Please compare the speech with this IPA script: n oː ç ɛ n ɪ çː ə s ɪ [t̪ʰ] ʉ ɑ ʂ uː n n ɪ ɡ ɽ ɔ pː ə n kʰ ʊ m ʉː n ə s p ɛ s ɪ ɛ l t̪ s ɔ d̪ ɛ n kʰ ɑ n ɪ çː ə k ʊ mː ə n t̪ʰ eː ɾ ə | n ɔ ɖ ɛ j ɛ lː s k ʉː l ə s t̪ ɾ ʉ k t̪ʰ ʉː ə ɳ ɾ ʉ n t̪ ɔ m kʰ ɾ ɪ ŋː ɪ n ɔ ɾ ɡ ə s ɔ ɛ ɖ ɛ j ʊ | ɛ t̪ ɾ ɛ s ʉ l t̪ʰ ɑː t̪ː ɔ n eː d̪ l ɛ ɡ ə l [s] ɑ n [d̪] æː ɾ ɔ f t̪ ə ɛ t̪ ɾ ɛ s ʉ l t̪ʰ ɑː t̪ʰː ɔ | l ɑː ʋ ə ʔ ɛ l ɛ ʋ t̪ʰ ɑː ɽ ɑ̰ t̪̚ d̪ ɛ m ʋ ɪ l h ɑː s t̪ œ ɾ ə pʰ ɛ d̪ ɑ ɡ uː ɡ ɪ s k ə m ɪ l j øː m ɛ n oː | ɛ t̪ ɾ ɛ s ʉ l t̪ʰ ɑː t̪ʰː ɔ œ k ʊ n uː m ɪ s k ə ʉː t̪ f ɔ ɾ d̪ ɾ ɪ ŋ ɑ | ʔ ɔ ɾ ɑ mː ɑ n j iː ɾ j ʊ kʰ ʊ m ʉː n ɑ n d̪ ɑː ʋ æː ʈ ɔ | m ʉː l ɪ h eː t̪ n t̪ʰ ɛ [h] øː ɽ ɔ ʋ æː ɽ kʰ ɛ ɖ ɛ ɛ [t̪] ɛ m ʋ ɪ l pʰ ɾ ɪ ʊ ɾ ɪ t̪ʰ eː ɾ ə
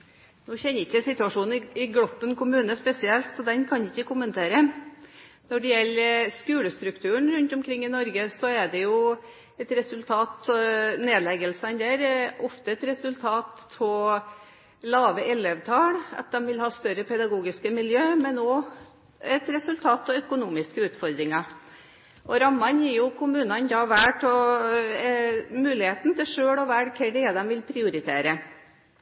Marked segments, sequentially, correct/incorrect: incorrect: t̪, correct, correct, incorrect: ʂ, incorrect: d̪

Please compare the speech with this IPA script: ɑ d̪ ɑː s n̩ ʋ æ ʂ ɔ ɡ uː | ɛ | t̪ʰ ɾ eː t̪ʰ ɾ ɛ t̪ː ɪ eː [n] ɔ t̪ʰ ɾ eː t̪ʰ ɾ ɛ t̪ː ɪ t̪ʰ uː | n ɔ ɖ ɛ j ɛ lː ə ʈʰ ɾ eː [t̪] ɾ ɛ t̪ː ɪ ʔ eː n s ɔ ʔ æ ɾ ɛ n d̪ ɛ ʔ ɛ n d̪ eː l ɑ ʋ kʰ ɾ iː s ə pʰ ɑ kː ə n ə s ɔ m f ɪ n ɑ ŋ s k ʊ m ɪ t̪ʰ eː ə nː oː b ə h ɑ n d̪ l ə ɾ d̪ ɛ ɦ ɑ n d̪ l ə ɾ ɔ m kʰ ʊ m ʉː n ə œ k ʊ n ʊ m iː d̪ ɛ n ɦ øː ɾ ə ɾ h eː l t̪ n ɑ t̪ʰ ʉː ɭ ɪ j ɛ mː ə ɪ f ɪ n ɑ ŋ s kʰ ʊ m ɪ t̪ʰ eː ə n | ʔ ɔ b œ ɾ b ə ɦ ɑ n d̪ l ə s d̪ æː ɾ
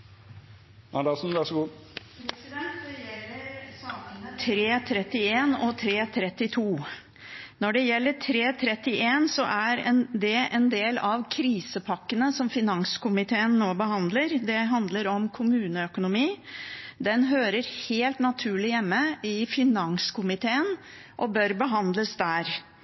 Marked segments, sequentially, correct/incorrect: correct, incorrect: t̪ʰ

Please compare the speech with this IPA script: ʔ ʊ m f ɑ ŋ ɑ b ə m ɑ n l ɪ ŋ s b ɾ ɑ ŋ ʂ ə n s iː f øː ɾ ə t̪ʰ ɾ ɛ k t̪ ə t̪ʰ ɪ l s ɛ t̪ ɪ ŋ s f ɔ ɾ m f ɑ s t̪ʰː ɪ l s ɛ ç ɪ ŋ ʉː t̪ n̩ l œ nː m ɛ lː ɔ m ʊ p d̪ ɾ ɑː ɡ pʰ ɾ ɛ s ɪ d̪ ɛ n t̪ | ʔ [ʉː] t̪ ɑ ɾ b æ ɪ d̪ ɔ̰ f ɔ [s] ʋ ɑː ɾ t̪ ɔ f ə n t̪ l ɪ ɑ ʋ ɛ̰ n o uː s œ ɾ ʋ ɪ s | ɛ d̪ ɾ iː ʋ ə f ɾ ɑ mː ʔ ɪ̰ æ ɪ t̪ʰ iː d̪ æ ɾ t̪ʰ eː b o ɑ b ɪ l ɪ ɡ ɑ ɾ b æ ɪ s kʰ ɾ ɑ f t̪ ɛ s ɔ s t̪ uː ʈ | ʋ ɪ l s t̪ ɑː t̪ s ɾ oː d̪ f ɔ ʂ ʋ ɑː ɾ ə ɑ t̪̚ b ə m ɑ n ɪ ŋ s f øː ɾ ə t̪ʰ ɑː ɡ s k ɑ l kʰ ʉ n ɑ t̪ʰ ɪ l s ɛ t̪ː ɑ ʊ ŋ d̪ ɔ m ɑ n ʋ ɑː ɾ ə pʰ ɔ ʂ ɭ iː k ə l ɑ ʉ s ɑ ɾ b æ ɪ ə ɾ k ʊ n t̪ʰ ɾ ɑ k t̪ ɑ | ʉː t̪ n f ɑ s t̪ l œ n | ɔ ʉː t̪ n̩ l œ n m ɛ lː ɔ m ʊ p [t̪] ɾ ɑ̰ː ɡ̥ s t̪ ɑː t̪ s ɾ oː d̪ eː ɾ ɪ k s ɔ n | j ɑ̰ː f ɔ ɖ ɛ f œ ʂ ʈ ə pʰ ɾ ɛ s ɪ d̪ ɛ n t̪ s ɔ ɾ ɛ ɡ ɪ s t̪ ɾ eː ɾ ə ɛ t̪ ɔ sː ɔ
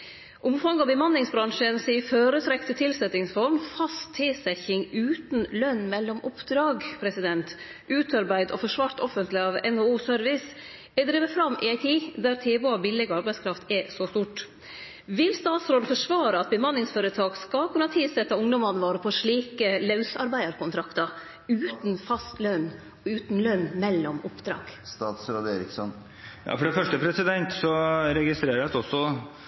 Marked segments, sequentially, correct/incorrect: correct, incorrect: ʂ, incorrect: d̪

